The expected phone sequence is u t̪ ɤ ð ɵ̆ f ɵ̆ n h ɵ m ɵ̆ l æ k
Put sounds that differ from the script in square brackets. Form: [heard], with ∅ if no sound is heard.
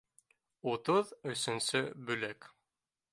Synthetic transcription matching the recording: u t̪ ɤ ð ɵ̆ [s] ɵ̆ n [s] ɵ [b] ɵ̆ l æ k